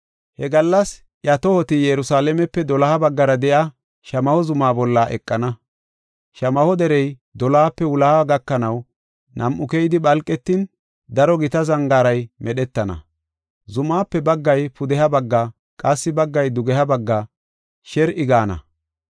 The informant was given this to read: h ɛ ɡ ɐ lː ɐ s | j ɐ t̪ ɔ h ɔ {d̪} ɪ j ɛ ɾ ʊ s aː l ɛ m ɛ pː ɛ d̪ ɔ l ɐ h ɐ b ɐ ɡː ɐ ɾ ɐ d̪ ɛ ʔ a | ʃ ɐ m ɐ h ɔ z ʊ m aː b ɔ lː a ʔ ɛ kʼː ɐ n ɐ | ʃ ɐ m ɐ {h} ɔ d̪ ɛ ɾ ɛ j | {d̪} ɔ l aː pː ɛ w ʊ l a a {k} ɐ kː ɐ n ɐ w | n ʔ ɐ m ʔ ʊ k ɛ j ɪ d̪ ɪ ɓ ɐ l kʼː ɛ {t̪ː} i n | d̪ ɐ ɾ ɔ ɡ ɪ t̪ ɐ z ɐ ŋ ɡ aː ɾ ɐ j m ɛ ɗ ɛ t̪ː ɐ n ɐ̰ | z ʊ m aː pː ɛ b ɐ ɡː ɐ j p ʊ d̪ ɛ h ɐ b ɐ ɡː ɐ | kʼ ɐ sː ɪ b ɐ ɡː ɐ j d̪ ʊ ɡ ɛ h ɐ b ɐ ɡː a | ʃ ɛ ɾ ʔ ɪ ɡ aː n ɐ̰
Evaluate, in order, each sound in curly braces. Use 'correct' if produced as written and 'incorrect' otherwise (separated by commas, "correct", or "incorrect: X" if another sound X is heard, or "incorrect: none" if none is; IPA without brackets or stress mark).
incorrect: t̪, correct, correct, incorrect: ɡ, correct